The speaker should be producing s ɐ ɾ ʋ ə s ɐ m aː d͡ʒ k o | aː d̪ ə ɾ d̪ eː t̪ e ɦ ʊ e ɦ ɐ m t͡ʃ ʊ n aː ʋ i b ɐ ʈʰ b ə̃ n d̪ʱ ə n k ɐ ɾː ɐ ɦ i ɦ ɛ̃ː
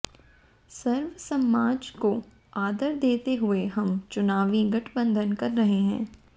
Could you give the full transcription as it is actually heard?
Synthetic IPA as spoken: s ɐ ɾ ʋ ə s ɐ m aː d͡ʒ k o | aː d̪ ə ɾ d̪ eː t̪ e ɦ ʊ e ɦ ɐ m t͡ʃ ʊ n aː ʋ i ɡ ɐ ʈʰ b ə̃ n d̪ʱ ə n k ɐ ɾː ɐ ɦ e ɦ ɛ̃ː